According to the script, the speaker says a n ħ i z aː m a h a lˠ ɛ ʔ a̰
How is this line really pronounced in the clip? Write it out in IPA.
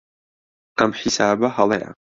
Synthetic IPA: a m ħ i s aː b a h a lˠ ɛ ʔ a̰